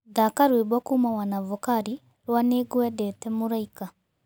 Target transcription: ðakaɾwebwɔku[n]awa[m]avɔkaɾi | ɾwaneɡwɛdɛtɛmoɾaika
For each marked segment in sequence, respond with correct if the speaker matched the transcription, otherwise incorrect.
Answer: incorrect: m, incorrect: n

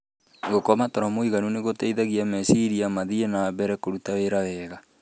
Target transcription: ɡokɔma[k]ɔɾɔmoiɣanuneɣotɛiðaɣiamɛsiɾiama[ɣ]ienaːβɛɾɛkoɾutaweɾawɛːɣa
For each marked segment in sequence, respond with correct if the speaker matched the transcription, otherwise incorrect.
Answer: incorrect: t, incorrect: ð

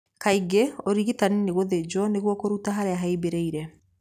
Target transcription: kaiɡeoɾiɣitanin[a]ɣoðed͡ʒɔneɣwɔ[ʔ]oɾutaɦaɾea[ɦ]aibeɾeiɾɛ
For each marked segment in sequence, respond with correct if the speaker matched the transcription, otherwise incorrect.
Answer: incorrect: e, incorrect: k, correct

